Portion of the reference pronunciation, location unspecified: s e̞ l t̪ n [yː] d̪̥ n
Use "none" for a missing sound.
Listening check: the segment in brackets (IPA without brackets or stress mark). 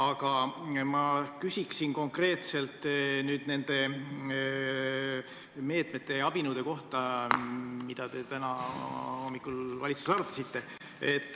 yː